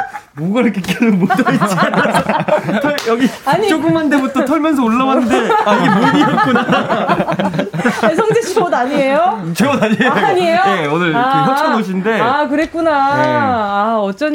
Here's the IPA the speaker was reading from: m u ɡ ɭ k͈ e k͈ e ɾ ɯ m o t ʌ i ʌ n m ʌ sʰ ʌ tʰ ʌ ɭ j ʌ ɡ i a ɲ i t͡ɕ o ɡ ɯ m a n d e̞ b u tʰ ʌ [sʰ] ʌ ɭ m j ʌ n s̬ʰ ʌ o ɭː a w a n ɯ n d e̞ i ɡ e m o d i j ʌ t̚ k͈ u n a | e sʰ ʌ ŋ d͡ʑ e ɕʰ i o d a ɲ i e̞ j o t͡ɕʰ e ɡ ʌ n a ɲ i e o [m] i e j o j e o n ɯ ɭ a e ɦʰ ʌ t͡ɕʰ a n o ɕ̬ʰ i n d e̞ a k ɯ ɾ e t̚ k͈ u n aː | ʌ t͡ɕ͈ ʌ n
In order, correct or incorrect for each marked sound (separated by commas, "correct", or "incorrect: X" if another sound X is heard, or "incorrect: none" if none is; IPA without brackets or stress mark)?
incorrect: tʰ, incorrect: ɲ